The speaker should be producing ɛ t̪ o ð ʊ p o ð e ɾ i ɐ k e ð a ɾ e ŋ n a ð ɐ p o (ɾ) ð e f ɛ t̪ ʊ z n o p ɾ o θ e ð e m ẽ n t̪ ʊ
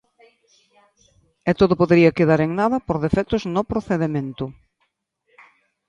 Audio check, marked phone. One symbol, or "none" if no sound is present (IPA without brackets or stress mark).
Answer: ɾ